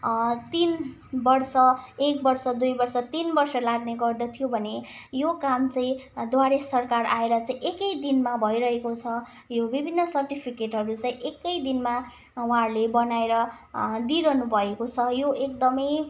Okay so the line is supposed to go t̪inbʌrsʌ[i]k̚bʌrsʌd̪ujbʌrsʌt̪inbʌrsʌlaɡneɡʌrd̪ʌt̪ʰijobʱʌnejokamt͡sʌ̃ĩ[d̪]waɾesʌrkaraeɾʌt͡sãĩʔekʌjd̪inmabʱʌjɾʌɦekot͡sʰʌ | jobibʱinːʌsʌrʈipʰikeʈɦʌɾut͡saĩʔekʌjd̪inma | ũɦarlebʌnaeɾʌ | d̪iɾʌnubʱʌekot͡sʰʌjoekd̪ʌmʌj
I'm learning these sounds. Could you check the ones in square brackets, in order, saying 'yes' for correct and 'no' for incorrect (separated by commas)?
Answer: no, yes